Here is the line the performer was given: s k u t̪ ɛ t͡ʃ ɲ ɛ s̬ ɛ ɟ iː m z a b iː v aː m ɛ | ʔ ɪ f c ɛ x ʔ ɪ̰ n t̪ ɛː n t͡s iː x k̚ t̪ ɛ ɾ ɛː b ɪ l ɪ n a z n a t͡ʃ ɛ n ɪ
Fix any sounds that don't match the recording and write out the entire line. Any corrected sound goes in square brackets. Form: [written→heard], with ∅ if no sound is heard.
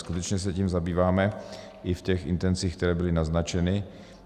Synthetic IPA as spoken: s k u t̪ ɛ t͡ʃ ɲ ɛ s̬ ɛ [ɟ→c] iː m z a b iː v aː m ɛ | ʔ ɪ f c ɛ x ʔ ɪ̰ n t̪ [ɛː→ɛ] n t͡s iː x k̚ t̪ ɛ ɾ ɛː b ɪ l ɪ n a z n a t͡ʃ ɛ n ɪ